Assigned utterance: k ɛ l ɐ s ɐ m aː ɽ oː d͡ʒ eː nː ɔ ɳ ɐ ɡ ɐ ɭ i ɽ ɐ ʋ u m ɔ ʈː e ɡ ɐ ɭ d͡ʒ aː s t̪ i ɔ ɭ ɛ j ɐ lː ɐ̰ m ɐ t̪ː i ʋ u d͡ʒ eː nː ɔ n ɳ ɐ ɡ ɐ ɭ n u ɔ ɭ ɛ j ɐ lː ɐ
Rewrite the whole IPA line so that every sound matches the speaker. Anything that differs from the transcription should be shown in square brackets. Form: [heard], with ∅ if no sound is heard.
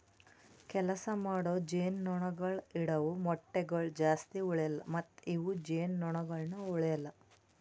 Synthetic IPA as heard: k ɛ l ɐ s ɐ m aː ɽ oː d͡ʒ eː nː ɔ ɳ ɐ ɡ ɐ ɭ i ɽ ɐ ʋ u m ɔ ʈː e ɡ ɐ ɭ d͡ʒ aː s t̪ i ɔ ɭ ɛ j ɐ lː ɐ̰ m ɐ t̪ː i ʋ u d͡ʒ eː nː ɔ [∅] ɳ ɐ ɡ ɐ ɭ n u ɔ ɭ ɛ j ɐ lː ɐ